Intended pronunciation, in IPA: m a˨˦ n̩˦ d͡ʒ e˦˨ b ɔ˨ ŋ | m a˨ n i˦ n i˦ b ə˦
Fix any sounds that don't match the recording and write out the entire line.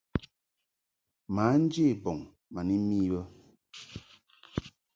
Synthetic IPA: m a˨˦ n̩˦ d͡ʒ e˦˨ b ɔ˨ ŋ | m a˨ n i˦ m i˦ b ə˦